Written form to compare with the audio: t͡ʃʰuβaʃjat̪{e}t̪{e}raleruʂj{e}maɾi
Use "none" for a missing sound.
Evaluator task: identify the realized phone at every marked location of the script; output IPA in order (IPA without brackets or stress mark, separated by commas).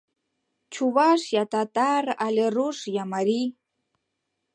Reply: a, a, a